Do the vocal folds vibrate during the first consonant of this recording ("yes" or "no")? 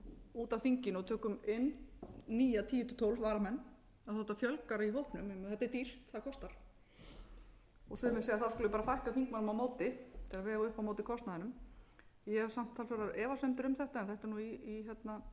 no